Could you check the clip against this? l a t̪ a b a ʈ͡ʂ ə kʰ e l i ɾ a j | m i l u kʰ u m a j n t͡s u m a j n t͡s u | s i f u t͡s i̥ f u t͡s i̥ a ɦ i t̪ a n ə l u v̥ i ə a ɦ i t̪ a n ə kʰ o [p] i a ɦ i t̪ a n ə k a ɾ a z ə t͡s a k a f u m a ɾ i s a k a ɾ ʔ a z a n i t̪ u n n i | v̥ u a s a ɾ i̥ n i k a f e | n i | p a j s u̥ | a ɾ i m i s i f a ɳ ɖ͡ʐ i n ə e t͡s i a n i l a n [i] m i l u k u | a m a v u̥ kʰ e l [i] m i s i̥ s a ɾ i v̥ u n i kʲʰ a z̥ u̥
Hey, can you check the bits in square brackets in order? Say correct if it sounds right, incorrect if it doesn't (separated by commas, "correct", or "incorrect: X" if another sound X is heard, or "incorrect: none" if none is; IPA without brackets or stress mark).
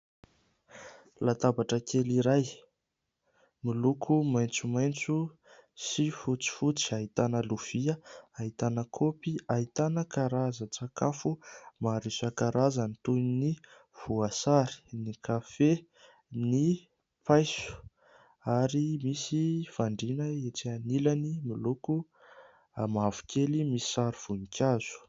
correct, correct, correct